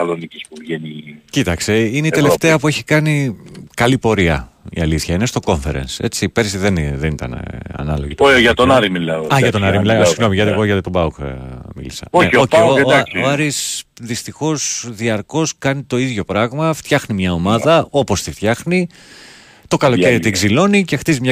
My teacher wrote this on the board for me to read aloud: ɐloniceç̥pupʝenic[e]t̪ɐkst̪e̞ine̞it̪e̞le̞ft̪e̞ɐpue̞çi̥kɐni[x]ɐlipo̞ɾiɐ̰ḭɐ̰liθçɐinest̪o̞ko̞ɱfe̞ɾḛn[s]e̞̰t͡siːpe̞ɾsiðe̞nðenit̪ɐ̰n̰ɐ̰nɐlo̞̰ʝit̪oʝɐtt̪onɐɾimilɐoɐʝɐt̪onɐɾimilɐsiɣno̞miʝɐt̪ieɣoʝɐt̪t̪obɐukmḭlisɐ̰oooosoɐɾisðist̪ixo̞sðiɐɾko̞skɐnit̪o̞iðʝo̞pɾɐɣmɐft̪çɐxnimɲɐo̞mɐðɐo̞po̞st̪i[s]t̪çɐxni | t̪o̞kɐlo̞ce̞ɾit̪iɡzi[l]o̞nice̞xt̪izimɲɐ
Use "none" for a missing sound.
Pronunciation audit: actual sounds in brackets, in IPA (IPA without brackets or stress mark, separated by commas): i, k, s, f, l